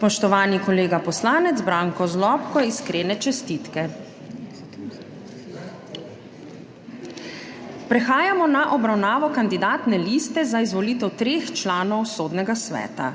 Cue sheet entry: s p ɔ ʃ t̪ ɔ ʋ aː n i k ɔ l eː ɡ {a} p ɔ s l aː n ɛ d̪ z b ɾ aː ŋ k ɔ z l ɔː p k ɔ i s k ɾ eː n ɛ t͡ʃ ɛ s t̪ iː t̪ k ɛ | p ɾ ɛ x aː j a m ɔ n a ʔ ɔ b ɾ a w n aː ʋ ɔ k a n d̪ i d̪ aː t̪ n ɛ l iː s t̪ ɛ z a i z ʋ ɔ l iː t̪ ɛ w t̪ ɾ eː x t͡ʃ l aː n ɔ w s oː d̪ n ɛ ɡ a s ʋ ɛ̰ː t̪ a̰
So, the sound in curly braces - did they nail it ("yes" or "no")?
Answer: yes